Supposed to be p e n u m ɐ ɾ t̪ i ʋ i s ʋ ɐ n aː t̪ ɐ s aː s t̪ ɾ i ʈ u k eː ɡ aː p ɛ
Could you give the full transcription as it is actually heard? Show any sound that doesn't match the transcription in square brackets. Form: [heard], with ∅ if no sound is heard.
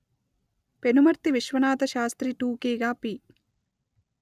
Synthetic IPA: p e n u m ɐ ɾ t̪ i ʋ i [ʃ] ʋ ɐ n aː t̪ ɐ [ʃ] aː s t̪ ɾ i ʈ [uː] k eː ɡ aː p [i]